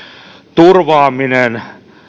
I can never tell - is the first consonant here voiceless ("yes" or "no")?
yes